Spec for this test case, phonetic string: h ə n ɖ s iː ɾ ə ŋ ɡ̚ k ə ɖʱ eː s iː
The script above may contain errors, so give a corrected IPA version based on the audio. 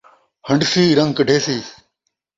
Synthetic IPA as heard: h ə ɳ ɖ s iː ɾ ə ŋ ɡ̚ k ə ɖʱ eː s iː